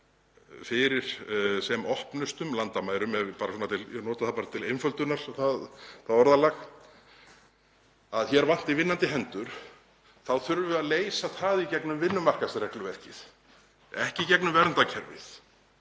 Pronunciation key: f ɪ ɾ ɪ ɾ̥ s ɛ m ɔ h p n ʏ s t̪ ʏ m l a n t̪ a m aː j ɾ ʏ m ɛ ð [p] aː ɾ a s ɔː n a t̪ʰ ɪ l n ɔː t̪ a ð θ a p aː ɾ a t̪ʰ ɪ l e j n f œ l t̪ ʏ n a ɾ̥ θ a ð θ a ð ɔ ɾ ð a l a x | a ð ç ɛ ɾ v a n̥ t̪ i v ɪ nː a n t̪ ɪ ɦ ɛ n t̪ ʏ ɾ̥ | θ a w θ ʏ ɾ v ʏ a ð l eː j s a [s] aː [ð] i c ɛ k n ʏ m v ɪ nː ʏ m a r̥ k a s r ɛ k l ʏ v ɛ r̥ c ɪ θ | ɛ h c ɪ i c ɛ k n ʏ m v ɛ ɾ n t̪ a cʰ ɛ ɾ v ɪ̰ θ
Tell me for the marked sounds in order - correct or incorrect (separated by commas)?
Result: correct, incorrect, correct